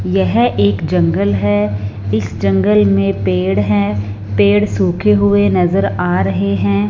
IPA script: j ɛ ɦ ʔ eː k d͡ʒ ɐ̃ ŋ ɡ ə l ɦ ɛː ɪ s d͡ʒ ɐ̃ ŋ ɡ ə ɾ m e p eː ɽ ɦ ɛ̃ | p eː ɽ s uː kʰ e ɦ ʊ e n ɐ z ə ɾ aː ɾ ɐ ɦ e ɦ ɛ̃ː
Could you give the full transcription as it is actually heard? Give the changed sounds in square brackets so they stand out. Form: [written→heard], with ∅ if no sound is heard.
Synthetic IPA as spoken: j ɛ ɦ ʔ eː k d͡ʒ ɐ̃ ŋ ɡ ə l ɦ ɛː ɪ s d͡ʒ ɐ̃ ŋ ɡ ə [ɾ→l] m [e→ẽ] p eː ɽ ɦ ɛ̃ | p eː ɽ s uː kʰ e ɦ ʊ e n ɐ z ə ɾ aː ɾ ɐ ɦ e ɦ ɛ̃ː